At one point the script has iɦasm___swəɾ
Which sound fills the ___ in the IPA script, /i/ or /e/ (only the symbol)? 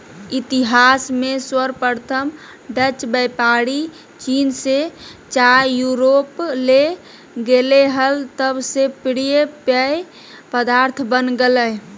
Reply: e